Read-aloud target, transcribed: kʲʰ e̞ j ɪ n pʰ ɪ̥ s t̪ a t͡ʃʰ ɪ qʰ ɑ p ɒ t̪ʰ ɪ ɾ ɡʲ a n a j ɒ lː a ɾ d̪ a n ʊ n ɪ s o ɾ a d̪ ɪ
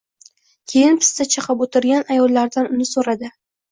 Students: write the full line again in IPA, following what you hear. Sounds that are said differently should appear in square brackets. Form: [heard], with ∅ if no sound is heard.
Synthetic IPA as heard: kʲʰ e̞ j ɪ n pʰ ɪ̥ s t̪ a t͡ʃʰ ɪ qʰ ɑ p [o] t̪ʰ ɪ ɾ ɡʲ a n a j ɒ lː a ɾ d̪ a n ʊ n ɪ s o ɾ a d̪ ɪ